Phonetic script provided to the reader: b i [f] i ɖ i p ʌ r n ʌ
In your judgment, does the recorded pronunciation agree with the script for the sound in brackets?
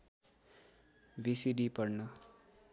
no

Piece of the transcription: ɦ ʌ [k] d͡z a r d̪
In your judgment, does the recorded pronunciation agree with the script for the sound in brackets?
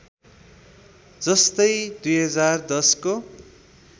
no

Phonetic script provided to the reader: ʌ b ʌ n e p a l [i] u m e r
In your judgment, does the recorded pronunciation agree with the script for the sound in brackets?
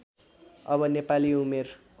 yes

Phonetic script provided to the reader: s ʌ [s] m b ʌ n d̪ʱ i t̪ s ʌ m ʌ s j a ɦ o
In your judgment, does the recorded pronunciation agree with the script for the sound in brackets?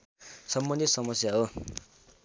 no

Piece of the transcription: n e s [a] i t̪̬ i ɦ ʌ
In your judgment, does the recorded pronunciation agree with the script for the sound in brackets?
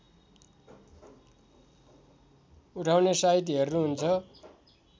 yes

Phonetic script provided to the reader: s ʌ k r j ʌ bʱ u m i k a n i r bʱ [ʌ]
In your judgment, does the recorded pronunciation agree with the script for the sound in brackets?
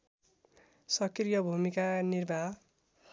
no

